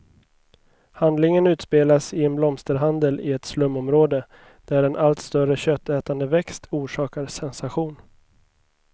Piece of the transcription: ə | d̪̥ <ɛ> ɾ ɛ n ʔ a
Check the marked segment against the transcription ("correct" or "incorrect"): incorrect